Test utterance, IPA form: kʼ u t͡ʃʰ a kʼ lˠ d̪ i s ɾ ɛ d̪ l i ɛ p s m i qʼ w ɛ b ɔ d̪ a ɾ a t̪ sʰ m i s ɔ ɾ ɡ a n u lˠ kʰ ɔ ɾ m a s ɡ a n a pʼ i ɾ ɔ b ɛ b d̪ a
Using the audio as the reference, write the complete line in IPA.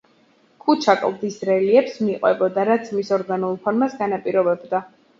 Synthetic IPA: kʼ u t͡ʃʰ a kʼ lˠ d̪ i s ɾ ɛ l i ɛ p s m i qʼ w ɛ b ɔ d̪ a ɾ a t̪ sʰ m i s ɔ ɾ ɡ a n u lˠ pʰ ɔ ɾ m a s ɡ a n a pʼ i ɾ ɔ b ɛ b d̪ a